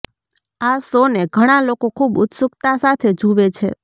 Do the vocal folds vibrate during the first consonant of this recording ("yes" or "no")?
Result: no